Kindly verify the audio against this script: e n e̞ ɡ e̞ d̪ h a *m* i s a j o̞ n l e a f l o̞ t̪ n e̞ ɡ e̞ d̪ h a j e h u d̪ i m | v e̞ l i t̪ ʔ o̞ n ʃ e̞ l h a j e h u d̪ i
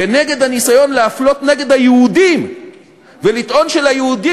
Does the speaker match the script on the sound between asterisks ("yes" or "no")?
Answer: no